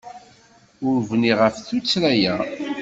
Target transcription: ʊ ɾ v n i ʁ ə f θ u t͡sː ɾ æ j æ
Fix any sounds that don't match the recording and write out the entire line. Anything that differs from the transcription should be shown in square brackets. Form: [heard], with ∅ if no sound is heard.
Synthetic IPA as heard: ʊ ɾ v n i ʁ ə f θ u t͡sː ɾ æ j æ